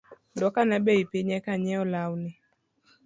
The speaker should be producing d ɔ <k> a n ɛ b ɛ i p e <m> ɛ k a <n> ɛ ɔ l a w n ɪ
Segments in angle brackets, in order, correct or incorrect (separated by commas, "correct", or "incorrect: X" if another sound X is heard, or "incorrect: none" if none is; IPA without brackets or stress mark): correct, incorrect: ɲ, incorrect: ɲ